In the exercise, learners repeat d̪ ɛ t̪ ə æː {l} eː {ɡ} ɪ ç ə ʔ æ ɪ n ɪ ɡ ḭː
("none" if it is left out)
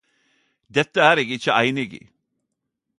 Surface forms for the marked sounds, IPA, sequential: ɾ, ɡ

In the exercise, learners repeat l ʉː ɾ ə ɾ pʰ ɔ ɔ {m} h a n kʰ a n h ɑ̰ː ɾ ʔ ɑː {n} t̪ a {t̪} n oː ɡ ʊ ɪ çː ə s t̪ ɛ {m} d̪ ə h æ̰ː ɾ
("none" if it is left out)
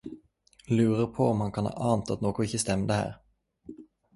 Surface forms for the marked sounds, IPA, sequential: m, n, t̪, m

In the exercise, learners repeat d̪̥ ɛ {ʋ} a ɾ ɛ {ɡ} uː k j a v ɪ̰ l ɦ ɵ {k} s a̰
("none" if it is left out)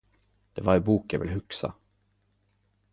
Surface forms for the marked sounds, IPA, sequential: v, b, k

